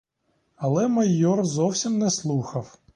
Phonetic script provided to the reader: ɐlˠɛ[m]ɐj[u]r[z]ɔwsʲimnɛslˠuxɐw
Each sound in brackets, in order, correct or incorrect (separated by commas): correct, incorrect, correct